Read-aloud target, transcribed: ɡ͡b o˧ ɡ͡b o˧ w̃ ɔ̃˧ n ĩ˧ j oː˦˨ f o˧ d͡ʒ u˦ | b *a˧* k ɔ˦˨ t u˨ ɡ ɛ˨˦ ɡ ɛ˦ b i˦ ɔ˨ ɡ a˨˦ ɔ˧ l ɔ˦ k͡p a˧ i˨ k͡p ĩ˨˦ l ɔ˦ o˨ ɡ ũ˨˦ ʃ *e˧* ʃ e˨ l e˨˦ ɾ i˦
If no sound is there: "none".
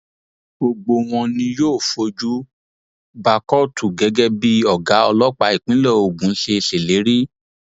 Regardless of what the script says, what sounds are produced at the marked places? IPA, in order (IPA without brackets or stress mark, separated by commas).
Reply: a˧, e˧